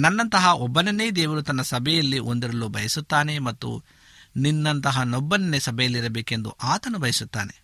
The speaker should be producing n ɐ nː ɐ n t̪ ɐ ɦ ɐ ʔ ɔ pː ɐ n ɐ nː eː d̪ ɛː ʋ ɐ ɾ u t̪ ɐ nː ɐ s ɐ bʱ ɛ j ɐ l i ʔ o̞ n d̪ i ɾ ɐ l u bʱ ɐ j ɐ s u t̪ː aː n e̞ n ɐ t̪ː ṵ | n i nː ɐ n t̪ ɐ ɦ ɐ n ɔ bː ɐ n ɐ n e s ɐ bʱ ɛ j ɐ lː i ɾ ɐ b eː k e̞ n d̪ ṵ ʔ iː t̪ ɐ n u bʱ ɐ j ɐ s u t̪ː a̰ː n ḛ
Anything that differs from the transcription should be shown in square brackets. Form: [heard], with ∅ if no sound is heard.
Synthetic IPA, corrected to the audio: n ɐ nː ɐ n t̪ ɐ ɦ ɐ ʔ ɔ [bː] ɐ n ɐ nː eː d̪ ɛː ʋ ɐ ɾ u t̪ ɐ nː ɐ s ɐ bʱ ɛ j ɐ [lː] i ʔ o̞ n d̪ i ɾ ɐ l u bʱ ɐ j ɐ s u t̪ː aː n e̞ [m] ɐ t̪ː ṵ | n i nː ɐ n t̪ ɐ ɦ ɐ n ɔ bː ɐ n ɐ n e s ɐ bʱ ɛ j ɐ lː i ɾ ɐ b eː k e̞ n d̪ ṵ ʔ [aː] t̪ ɐ n u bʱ ɐ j ɐ s u t̪ː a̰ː n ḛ